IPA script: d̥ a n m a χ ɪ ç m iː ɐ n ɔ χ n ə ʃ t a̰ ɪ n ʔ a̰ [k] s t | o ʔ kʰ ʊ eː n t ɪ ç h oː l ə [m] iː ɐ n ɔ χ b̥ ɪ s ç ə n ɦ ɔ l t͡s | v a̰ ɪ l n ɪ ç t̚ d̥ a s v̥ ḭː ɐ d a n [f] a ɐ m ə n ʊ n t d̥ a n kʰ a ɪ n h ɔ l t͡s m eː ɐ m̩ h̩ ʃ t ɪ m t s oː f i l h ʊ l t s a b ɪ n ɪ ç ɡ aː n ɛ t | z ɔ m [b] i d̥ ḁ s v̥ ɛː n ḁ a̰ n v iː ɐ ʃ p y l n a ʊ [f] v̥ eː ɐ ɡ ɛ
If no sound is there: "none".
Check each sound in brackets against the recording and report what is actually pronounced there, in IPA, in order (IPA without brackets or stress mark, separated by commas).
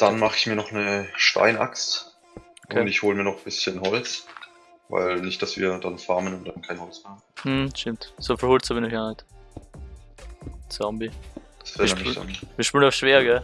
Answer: k, m, f, b, ʃ